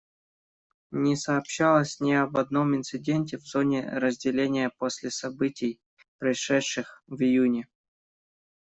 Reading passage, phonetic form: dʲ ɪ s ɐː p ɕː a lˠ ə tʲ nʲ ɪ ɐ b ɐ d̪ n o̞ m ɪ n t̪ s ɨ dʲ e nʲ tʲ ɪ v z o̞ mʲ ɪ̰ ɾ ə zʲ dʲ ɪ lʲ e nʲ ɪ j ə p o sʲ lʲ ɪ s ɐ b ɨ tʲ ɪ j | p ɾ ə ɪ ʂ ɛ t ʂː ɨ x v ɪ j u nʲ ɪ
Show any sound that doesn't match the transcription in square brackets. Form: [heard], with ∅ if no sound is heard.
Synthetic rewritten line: [nʲ] ɪ s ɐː p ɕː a lˠ ə [sʲ] nʲ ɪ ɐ b ɐ d̪ n o̞ m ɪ n t̪ s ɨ dʲ e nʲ tʲ ɪ v z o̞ [nʲ] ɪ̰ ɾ ə zʲ dʲ ɪ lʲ e nʲ ɪ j ə p o sʲ lʲ ɪ s ɐ b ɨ tʲ ɪ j | p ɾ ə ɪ ʂ ɛ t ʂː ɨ x v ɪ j u nʲ ɪ